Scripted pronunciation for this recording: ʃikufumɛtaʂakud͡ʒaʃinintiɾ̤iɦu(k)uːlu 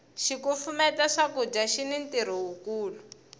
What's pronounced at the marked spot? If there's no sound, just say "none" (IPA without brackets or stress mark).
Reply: k